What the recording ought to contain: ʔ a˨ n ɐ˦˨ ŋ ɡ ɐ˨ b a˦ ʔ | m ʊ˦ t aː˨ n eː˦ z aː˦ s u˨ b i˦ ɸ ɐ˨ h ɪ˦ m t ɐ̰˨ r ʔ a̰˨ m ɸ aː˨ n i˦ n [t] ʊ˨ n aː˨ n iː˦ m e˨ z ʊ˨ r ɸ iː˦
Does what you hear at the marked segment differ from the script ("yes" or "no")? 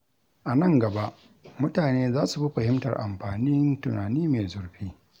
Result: no